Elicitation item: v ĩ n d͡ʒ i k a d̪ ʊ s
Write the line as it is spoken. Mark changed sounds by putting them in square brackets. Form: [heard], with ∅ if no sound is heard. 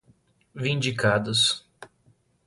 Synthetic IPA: v ĩ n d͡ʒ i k a d̪ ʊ s